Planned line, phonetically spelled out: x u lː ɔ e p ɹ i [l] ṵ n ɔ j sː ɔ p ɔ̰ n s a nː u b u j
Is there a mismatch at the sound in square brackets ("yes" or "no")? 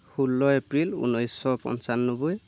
no